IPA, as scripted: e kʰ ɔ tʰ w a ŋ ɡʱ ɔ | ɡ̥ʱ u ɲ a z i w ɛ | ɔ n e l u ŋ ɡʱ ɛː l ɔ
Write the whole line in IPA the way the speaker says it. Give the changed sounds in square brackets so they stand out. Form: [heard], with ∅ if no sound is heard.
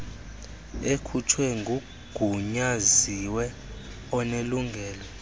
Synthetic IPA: e kʰ [u] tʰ w [ɛ] ŋ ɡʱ [u] | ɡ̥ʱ u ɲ a z i w ɛ | ɔ n e l u ŋ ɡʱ ɛː l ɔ